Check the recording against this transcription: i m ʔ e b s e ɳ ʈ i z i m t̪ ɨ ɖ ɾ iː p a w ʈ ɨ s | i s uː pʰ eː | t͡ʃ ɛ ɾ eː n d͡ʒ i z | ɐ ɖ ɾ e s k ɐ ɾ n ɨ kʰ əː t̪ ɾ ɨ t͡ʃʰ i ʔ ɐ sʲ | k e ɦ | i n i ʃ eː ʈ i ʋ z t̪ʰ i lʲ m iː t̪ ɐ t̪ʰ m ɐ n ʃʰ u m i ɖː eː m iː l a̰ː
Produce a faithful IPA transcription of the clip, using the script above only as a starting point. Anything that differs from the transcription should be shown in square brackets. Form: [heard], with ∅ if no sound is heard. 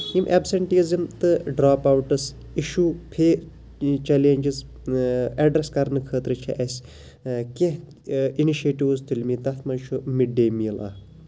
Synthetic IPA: i m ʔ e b s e ɳ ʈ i z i m t̪ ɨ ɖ ɾ [aː] p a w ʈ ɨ s | i [ʃ] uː pʰ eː | t͡ʃ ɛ [l] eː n d͡ʒ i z | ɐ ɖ ɾ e s k ɐ ɾ n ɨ kʰ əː t̪ ɾ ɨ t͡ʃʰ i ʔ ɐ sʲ | k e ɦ | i n i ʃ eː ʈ i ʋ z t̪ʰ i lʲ m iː t̪ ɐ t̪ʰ m ɐ n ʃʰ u m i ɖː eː m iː l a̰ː